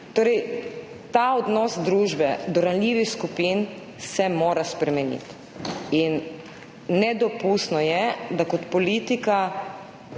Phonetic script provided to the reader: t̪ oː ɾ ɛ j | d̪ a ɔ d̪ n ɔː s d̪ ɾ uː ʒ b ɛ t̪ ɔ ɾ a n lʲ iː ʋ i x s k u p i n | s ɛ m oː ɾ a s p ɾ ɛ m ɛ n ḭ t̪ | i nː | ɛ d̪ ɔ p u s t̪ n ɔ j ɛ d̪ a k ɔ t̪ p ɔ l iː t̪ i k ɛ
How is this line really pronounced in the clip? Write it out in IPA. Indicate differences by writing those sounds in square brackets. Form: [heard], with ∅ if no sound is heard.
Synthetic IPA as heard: t̪ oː ɾ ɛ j | [t̪] a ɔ d̪ n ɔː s d̪ ɾ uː ʒ b ɛ [d̪] ɔ ɾ a n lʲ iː ʋ i x s k u p i n | s ɛ m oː ɾ a s p ɾ ɛ m ɛ n ḭ t̪ | i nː | ɛ d̪ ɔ p u s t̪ n ɔ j ɛ d̪ a k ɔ t̪ p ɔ l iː t̪ i k [a]